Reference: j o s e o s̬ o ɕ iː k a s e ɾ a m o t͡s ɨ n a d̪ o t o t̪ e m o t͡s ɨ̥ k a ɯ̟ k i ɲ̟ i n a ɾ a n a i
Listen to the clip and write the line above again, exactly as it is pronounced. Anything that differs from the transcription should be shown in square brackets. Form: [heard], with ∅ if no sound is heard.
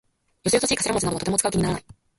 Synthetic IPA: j o s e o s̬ o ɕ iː k a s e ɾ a m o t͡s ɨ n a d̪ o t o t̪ e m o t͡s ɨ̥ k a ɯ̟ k i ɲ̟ i n a ɾ a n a i